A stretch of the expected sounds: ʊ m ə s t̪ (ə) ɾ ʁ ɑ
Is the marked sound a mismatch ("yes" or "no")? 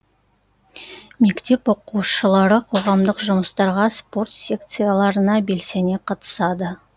yes